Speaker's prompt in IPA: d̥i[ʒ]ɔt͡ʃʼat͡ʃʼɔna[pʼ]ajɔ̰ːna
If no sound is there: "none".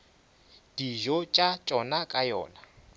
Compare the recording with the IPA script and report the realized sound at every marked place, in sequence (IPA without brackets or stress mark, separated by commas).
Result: ʒ, kʼ